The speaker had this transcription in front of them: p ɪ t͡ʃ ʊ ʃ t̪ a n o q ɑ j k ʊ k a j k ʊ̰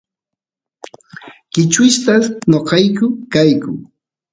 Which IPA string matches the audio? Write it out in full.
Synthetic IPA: k ɪ t͡ʃ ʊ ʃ t̪ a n o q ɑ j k ʊ k a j k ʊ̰